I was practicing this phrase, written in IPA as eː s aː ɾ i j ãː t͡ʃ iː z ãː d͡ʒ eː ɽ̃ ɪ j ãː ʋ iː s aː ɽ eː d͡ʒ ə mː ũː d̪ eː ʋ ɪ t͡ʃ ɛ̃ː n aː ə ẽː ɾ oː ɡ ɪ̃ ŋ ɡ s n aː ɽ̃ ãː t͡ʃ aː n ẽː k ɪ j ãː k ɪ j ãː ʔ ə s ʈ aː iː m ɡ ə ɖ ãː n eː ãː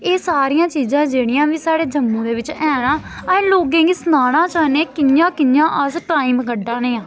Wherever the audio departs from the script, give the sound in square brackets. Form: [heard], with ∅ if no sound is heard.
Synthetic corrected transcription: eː s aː ɾ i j ãː t͡ʃ iː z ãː d͡ʒ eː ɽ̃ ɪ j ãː ʋ iː s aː ɽ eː d͡ʒ ə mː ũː d̪ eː ʋ ɪ t͡ʃ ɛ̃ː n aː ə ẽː [l] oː ɡ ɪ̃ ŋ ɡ s n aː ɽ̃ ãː t͡ʃ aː n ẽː k ɪ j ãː k ɪ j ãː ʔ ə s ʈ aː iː m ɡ ə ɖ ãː n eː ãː

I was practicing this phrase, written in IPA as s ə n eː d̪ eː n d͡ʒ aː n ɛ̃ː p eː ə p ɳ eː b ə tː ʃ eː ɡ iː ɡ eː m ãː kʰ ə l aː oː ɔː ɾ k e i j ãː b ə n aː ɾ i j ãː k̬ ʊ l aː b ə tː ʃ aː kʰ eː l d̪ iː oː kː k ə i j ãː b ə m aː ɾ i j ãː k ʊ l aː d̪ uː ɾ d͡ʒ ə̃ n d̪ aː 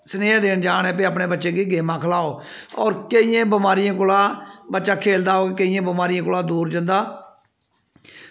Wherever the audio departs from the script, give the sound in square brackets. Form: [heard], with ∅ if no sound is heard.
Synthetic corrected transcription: s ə n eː d̪ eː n d͡ʒ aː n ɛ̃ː p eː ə p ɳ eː b ə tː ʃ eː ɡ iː ɡ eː m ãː kʰ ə l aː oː ɔː ɾ k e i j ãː b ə [m] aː ɾ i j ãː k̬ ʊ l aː b ə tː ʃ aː kʰ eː l d̪ [aː] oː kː k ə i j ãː b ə m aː ɾ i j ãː k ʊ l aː d̪ uː ɾ d͡ʒ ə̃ n d̪ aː

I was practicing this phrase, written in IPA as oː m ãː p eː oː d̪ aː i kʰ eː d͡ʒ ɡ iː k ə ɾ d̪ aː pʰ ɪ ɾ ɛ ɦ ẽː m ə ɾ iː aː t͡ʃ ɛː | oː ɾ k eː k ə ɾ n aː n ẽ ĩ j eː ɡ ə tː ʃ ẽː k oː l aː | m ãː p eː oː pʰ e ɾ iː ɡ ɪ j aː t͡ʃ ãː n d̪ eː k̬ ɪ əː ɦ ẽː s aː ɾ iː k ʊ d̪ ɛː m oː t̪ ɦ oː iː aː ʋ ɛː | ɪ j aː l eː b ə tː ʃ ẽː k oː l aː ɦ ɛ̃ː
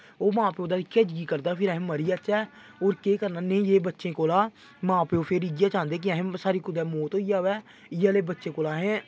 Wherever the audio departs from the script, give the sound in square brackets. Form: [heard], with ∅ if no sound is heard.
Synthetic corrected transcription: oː m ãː p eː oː d̪ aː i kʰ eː d͡ʒ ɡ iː k ə ɾ d̪ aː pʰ ɪ ɾ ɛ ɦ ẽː m ə ɾ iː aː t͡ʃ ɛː | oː ɾ k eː k ə ɾ n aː n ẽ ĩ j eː [b] ə tː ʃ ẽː k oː l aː | m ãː p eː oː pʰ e ɾ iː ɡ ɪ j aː t͡ʃ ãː n d̪ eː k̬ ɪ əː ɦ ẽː s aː ɾ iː k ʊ d̪ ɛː m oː t̪ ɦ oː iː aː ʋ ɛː | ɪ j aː l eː b ə tː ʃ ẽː k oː l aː ɦ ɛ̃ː

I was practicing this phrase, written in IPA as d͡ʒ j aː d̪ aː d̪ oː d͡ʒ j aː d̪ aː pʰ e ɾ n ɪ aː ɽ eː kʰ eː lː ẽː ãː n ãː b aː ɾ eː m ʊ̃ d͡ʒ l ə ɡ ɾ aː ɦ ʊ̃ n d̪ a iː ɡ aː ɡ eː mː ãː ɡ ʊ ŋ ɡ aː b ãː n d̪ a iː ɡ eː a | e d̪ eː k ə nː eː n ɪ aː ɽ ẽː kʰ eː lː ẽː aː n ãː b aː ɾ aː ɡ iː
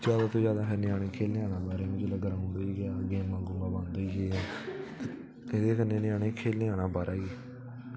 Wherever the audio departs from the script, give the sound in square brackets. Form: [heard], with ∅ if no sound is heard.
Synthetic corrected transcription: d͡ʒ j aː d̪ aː [t̪] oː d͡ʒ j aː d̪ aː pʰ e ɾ n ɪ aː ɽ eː kʰ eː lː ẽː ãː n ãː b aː ɾ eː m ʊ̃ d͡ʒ l ə ɡ ɾ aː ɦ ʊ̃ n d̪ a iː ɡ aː ɡ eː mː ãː ɡ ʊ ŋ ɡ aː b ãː n d̪ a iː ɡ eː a | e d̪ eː k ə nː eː n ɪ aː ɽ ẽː kʰ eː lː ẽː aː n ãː b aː ɾ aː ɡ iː

